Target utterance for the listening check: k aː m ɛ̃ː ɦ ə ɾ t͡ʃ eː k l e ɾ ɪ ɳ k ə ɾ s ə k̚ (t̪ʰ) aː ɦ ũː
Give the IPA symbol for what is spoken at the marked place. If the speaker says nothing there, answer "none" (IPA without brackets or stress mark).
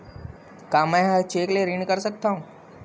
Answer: t̪